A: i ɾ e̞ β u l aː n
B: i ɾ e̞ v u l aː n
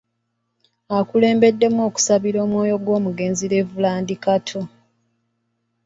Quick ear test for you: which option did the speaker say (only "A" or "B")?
B